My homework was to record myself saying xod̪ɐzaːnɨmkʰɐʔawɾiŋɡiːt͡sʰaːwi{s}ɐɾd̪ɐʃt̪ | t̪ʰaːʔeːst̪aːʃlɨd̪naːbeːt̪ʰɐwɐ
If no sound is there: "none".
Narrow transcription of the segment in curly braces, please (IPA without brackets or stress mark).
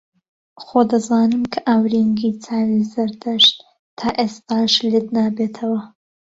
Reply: z